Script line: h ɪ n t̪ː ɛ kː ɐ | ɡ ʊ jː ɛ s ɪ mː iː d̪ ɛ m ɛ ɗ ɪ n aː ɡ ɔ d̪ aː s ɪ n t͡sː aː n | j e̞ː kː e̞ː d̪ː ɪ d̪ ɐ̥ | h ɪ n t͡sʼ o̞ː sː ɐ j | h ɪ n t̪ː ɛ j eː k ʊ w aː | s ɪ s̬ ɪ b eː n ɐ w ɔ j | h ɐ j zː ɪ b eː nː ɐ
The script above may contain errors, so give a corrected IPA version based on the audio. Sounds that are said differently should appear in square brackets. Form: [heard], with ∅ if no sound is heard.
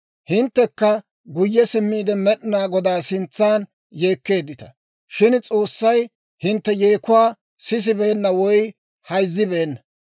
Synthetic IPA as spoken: h ɪ n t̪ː ɛ kː ɐ | ɡ ʊ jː ɛ s ɪ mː iː d̪ ɛ m ɛ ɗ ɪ n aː ɡ ɔ d̪ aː s ɪ n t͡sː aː n | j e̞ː kː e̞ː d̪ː ɪ [t̪] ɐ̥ | [ʃ] ɪ n t͡sʼ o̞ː sː ɐ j | h ɪ n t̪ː ɛ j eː k ʊ w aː | s ɪ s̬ ɪ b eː [nː] ɐ w ɔ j | h ɐ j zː ɪ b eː nː ɐ